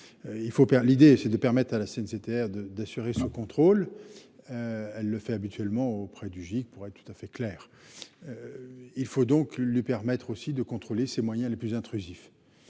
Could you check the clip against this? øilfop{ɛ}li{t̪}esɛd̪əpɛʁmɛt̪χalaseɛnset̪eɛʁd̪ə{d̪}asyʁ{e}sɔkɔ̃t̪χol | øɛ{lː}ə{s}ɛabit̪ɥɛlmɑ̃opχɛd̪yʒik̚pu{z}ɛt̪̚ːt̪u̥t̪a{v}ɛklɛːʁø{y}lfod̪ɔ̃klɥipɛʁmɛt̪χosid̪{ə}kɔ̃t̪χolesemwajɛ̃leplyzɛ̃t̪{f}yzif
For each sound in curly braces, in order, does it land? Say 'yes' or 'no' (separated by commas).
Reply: yes, no, yes, yes, yes, no, no, no, no, yes, no